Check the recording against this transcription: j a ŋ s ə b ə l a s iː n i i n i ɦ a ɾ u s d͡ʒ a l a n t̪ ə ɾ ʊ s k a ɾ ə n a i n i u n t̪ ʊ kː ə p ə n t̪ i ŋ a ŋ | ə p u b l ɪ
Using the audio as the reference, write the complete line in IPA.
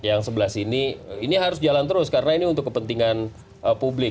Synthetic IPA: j a ŋ s ə b ə l a s i n i i n i ɦ a ɾ ʊ s d͡ʒ a l a n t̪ ə ɾ ʊ s k a ɾ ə n a i n i u n t̪ ʊ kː ə p ə n t̪ i ŋ a n | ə p u b l ɪ